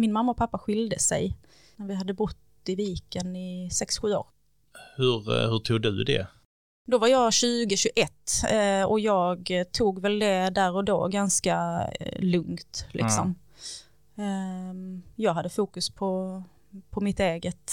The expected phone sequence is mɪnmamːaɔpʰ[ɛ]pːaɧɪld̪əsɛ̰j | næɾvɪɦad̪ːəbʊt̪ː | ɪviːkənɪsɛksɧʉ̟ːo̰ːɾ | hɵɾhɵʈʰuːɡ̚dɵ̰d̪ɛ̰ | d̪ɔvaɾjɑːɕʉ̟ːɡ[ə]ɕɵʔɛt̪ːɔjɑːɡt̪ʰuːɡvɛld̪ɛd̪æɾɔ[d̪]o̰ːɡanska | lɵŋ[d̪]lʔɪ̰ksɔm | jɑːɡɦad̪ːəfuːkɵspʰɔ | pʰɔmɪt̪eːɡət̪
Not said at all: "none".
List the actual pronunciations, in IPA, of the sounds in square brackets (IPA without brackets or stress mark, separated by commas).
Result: a, ə, d̪, t̪